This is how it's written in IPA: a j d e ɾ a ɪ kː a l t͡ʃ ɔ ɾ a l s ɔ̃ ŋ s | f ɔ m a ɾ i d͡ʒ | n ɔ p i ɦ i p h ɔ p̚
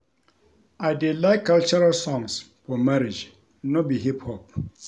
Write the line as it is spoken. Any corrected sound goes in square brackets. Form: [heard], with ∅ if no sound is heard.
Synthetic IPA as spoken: a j d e [l] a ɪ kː a l t͡ʃ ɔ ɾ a l s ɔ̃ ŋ s | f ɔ m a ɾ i d͡ʒ | n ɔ [b] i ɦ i p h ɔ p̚